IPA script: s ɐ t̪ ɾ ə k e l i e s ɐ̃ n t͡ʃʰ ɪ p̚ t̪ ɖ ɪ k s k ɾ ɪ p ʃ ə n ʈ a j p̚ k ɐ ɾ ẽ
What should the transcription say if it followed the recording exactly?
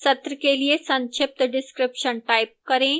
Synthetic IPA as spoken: s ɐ t̪ ɾ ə k e l i e s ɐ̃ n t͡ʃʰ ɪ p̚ t̪ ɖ ɪ s k ɾ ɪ p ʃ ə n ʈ a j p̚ k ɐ ɾ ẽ